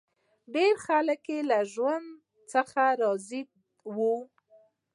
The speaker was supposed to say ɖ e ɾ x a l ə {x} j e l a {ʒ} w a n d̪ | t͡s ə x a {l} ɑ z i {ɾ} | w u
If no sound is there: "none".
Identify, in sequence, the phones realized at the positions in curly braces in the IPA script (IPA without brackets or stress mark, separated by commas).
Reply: k, ʒ, ɾ, none